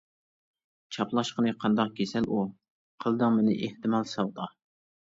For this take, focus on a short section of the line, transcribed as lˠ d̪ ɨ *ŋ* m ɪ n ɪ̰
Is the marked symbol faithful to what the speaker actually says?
yes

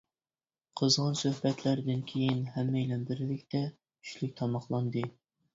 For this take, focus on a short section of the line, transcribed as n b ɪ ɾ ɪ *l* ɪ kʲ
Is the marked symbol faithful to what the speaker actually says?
yes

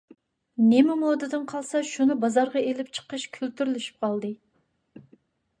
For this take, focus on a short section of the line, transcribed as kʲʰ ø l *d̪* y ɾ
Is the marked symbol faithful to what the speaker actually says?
no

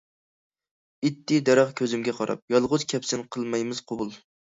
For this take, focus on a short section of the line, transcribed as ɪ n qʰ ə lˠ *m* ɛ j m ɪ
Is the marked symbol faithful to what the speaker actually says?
yes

